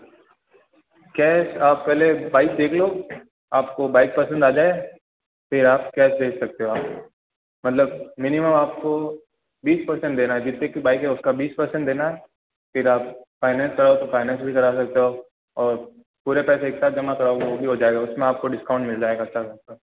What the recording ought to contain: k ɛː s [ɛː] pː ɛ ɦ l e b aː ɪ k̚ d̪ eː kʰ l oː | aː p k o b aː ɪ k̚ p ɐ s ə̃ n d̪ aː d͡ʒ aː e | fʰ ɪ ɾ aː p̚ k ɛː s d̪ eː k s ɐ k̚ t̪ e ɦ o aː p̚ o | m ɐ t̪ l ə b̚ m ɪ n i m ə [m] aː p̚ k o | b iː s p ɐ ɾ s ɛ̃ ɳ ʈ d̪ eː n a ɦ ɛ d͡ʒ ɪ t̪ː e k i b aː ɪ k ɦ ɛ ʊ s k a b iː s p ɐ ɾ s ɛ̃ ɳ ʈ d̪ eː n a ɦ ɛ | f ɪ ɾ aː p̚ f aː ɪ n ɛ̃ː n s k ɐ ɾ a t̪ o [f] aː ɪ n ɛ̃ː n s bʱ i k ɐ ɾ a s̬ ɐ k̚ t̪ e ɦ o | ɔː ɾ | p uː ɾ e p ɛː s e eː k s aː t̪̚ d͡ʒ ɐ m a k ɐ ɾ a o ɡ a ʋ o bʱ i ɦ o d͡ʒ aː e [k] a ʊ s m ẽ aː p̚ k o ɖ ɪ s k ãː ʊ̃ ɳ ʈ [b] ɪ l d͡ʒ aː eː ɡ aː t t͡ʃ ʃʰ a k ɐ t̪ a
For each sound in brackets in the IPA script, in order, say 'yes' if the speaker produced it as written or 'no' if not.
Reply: no, yes, yes, no, no

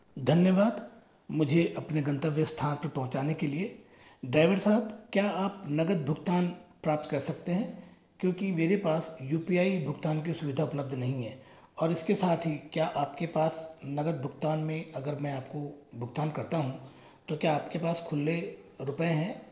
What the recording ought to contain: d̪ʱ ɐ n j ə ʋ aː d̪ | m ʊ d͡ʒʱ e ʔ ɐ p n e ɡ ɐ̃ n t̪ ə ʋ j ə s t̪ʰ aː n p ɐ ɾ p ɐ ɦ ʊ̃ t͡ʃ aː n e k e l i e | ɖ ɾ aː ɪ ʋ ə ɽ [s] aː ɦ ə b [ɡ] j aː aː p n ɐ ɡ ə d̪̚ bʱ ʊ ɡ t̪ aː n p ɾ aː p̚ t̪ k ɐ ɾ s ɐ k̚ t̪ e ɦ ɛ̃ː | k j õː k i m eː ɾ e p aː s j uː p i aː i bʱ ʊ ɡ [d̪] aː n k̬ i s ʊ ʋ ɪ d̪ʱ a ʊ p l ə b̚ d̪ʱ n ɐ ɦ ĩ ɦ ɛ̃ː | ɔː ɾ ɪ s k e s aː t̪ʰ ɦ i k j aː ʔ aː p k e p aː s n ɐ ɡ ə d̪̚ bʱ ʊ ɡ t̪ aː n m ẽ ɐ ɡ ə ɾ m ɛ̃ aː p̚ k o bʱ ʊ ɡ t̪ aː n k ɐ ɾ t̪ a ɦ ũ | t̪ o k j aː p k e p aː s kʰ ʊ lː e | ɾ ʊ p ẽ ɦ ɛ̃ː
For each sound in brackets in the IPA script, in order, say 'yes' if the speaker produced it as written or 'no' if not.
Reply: yes, no, no

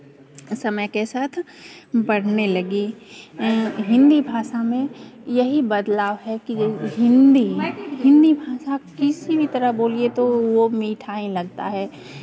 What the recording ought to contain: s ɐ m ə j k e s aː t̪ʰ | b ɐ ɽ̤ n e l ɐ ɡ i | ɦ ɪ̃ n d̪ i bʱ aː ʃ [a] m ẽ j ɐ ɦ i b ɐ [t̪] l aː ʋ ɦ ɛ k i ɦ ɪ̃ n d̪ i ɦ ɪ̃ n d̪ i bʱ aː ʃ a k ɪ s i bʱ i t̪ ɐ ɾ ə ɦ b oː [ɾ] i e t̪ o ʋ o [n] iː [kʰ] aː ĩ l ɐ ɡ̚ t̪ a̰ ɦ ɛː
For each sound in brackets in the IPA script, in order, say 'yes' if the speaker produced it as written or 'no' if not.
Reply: yes, no, no, no, no

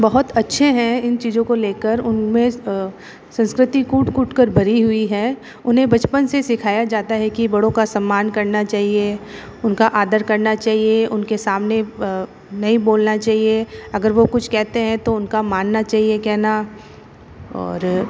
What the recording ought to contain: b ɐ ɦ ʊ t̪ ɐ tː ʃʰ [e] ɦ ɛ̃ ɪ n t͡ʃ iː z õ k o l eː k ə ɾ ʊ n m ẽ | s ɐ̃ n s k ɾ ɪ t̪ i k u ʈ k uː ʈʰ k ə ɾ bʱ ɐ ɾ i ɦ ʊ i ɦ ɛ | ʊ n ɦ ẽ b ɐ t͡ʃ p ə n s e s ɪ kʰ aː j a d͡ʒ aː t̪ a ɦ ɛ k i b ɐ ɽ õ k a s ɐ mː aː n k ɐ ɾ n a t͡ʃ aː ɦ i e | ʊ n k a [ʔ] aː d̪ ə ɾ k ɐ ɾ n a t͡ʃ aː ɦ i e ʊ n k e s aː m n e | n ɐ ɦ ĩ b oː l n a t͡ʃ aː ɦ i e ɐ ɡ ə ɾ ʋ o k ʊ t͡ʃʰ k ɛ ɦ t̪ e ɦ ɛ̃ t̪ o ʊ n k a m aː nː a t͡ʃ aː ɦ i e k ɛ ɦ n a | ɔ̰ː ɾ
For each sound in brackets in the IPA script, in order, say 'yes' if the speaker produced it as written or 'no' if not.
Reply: yes, yes

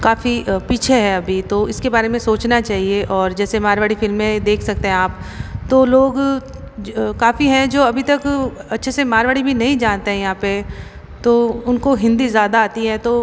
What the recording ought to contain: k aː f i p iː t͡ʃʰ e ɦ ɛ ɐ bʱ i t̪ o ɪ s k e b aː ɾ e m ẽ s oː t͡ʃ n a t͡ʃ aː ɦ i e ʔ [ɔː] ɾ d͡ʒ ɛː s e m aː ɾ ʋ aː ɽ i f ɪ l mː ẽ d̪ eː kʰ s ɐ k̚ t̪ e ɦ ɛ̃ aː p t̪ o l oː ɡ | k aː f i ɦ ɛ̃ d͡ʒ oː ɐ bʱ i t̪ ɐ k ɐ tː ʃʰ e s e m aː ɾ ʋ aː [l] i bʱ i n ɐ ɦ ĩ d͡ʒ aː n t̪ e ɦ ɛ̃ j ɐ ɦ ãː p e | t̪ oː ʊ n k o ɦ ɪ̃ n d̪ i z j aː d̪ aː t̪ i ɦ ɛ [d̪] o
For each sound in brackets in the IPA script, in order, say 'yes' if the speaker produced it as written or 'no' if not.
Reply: yes, no, no

